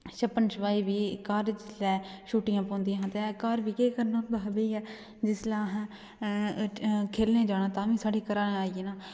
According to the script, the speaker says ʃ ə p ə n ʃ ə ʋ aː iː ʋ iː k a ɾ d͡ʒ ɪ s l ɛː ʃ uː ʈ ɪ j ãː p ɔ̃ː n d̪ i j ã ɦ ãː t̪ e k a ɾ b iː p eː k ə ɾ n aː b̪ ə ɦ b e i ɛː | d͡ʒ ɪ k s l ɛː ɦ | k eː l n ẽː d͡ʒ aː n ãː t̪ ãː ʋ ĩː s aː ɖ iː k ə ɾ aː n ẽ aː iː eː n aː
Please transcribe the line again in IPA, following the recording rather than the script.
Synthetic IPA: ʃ ə p ə n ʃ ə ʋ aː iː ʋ iː k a ɾ d͡ʒ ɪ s l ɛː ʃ uː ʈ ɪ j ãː p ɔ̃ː n d̪ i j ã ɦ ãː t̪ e k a ɾ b iː k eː k ə ɾ n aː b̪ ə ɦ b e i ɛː | d͡ʒ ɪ s l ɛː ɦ | kʰ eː l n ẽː d͡ʒ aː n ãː t̪ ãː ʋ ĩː s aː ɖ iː k ə ɾ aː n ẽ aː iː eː n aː